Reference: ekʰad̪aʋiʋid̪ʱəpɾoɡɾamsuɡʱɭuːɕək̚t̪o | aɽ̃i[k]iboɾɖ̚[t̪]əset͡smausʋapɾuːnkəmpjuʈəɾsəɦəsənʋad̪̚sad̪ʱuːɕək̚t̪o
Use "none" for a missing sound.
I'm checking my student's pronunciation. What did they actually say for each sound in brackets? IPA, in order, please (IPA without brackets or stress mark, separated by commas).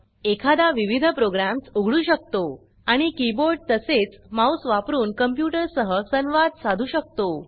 k, t̪